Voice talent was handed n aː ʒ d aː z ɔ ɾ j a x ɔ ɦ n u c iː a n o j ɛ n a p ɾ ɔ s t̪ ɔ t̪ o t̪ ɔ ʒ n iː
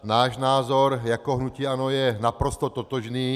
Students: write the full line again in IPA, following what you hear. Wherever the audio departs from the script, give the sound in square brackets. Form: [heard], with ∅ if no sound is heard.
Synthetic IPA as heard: n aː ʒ [n] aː z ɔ ɾ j a [k] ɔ ɦ n u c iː a n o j ɛ n a p ɾ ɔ s t̪ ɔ t̪ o t̪ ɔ ʒ n iː